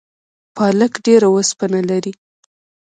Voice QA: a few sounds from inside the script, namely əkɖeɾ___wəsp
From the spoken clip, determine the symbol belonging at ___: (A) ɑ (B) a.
B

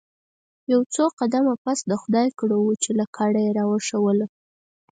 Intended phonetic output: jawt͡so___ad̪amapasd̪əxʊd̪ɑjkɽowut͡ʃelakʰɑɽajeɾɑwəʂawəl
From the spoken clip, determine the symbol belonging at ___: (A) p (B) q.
B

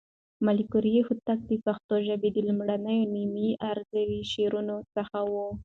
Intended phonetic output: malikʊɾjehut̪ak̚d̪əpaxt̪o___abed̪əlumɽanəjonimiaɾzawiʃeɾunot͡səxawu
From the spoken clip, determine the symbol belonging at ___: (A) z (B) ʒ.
B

